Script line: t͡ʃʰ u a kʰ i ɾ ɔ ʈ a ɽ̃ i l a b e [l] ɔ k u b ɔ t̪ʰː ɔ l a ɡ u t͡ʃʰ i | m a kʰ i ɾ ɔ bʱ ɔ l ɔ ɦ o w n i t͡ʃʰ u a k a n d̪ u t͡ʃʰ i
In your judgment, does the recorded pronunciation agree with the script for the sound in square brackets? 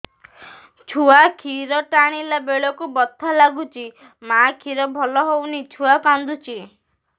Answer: no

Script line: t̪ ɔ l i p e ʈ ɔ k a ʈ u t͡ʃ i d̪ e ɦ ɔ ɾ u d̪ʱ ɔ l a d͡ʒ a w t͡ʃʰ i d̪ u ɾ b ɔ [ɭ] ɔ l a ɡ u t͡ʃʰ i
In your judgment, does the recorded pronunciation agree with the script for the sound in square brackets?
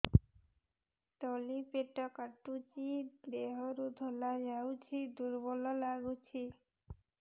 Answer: no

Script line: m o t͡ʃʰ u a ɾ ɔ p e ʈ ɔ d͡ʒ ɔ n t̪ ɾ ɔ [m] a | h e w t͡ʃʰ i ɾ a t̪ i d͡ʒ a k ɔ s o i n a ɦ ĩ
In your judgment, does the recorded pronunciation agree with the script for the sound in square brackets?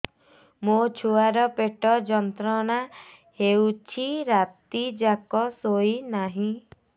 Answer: no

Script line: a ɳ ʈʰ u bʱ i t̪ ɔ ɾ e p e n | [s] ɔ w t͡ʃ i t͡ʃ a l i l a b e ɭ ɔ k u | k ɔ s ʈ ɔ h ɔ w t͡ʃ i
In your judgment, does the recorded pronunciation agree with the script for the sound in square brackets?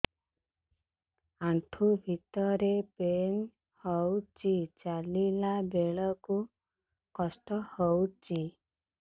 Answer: no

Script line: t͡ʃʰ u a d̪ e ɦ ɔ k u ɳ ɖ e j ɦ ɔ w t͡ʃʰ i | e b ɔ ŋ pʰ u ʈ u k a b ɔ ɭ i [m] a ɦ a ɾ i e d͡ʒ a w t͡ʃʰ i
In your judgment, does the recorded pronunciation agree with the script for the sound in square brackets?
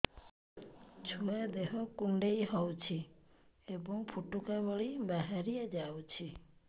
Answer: no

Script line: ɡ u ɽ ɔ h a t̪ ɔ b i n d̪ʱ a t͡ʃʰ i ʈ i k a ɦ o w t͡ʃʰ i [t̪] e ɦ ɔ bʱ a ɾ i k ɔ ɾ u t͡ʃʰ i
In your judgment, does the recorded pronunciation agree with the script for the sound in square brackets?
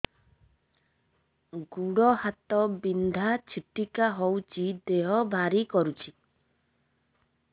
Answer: no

